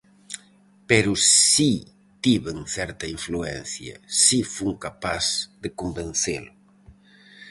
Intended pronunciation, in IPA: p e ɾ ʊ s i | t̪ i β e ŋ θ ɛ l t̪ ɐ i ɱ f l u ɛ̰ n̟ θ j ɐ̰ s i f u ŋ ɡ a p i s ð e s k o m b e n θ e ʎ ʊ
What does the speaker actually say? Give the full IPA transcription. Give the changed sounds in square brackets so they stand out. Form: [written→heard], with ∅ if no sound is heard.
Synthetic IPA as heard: p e ɾ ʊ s i | t̪ i β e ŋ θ ɛ [l→ɾ] t̪ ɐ i ɱ f l u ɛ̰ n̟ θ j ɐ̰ s i f u ŋ [ɡ→k] a p [i→a] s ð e [s→∅] k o m b e n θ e [ʎ→l] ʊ